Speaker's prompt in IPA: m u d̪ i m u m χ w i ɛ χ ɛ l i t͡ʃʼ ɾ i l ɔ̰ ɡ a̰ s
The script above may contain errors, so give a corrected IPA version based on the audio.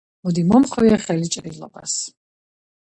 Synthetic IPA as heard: m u d̪ i m ɔ m χ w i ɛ χ ɛ l i t͡ʃʼ ɾ i l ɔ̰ b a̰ s